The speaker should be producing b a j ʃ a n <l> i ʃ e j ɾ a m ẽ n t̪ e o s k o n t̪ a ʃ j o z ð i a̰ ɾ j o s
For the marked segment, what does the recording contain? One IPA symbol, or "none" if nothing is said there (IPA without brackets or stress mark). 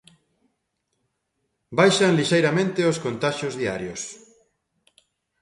l